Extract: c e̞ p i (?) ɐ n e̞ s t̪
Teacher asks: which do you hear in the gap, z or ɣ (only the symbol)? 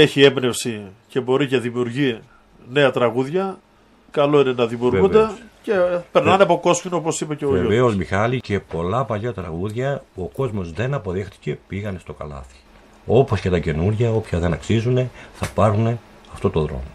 ɣ